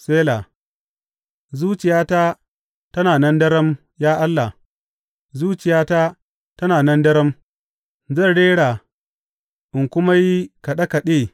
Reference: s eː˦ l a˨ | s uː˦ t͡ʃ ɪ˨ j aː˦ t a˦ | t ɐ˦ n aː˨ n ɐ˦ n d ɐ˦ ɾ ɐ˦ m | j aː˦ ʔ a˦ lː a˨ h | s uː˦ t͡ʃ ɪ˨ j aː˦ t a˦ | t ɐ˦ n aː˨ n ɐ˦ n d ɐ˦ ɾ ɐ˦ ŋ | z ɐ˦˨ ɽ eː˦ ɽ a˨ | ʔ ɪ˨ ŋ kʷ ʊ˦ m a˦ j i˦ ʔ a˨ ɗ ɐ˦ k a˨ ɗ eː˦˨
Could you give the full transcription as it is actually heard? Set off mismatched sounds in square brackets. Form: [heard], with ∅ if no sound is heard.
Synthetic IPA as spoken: s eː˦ l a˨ | [z] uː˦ t͡ʃ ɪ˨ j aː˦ t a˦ | t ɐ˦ n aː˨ n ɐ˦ n d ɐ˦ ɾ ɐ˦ m | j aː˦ ʔ a˦ lː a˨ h | [z] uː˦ t͡ʃ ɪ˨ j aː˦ t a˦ | t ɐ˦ n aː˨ n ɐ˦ n d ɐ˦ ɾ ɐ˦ [m] | z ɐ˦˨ ɽ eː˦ ɽ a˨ | ʔ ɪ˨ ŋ kʷ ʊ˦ m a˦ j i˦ [k] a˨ ɗ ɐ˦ k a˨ ɗ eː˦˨